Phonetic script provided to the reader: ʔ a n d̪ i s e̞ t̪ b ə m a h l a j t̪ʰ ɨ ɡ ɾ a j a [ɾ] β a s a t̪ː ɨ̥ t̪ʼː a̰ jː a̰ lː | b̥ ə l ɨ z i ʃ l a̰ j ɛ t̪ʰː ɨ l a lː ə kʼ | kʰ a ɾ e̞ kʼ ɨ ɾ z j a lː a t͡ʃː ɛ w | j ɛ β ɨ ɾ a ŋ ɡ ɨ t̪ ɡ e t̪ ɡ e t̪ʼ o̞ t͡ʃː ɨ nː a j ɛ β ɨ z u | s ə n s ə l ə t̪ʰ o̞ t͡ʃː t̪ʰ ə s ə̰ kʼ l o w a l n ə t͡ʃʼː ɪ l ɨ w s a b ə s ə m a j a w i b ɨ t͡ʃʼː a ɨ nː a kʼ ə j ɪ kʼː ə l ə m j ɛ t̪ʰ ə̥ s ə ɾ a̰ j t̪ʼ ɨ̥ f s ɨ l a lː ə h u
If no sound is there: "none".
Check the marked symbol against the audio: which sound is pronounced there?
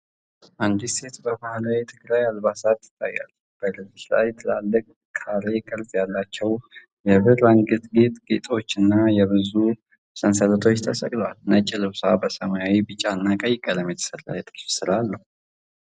l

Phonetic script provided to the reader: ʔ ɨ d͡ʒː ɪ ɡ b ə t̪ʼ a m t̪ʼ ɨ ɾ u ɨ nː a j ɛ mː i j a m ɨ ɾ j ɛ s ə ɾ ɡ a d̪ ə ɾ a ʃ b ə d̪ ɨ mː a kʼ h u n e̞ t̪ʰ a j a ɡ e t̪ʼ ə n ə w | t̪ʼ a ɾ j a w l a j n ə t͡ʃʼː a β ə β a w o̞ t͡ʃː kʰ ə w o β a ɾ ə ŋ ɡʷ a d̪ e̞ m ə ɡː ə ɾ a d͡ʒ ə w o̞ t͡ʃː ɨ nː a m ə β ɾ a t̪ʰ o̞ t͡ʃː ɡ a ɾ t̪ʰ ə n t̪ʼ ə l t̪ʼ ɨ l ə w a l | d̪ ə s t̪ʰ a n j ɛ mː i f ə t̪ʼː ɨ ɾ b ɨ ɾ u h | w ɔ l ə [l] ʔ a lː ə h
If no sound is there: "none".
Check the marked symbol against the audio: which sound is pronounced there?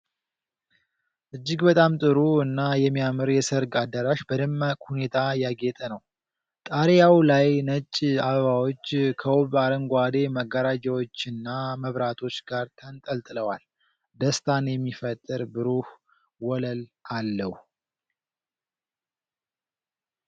l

